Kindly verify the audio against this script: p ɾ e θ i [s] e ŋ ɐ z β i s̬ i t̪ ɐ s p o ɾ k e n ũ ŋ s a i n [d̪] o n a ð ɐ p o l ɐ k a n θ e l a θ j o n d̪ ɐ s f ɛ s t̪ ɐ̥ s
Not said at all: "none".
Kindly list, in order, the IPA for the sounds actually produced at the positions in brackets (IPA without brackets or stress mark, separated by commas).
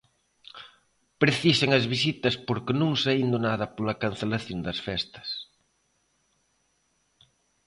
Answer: s, d̪